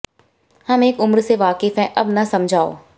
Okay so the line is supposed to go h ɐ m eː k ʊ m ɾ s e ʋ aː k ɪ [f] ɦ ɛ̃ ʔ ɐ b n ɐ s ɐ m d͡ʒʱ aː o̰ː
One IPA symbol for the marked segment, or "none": f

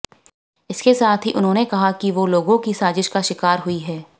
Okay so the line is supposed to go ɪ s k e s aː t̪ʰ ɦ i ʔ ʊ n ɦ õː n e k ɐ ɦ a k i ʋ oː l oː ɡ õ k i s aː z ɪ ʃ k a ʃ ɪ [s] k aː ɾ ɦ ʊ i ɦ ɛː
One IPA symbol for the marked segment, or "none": none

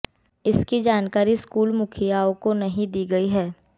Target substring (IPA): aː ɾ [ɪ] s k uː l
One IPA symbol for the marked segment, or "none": i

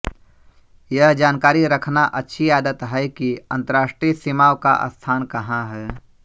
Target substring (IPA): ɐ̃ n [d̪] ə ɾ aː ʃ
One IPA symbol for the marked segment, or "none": t̪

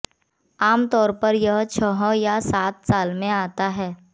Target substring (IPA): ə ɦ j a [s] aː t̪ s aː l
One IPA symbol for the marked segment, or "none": s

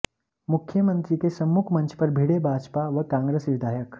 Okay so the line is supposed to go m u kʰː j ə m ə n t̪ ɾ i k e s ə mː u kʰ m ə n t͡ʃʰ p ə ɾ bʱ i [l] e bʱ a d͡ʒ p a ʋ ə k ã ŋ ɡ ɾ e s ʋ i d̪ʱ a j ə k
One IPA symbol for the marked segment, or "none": ɽ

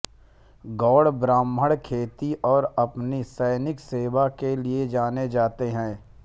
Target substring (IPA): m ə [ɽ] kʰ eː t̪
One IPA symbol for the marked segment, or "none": ɽ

